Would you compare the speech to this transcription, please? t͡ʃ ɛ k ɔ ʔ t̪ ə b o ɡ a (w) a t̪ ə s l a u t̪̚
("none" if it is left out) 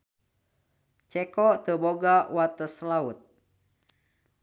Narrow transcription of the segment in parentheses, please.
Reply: w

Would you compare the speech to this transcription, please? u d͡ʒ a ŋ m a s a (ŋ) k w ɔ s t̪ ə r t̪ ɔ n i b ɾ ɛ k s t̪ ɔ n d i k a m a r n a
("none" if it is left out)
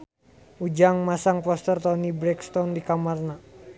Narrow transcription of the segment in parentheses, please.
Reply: ŋ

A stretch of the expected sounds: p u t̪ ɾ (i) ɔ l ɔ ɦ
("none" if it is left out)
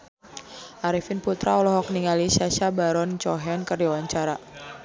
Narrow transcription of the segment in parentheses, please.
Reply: a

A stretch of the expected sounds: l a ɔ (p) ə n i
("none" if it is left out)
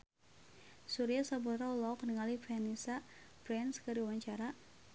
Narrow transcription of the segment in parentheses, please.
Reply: k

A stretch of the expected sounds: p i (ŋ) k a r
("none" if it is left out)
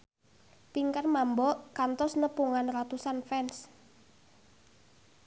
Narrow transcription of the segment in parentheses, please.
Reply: ŋ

